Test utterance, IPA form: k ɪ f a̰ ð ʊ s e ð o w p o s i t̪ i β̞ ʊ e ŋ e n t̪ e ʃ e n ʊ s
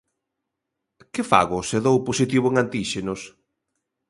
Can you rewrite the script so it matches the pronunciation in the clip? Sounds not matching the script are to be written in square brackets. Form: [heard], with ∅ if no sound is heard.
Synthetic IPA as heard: k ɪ f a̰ [ɣ] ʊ s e ð o w p o s i t̪ i β̞ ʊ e ŋ [a] n t̪ [i] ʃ e n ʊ s